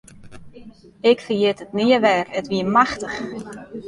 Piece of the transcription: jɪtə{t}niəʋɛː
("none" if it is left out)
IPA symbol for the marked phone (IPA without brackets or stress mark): t